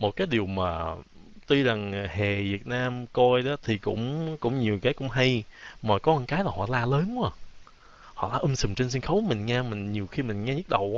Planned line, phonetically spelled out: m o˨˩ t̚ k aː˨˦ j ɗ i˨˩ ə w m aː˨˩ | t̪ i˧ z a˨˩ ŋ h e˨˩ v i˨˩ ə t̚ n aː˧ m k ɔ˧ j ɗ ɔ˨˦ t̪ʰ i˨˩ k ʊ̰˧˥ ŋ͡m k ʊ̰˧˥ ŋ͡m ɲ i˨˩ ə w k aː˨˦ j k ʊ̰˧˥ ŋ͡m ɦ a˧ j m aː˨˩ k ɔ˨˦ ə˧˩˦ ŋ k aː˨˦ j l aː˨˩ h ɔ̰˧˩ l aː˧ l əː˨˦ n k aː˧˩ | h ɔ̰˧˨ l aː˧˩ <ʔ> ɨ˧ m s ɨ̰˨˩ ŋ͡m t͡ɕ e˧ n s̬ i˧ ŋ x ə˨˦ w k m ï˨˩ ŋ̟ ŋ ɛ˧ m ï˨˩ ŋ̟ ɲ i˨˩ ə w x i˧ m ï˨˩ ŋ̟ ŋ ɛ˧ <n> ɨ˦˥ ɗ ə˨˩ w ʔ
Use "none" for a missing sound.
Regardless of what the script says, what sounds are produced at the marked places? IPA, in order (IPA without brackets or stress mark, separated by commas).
ʔ, ɲ